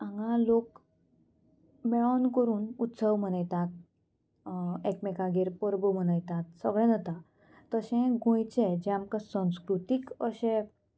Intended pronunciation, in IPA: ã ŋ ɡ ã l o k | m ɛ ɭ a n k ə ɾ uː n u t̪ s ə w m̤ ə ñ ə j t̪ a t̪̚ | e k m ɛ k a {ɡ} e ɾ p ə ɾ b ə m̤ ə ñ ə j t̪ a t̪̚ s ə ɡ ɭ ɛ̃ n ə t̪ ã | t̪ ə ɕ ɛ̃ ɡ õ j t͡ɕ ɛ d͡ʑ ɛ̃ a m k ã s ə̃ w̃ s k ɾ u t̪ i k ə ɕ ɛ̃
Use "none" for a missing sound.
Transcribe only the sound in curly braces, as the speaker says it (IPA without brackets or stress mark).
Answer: ɡ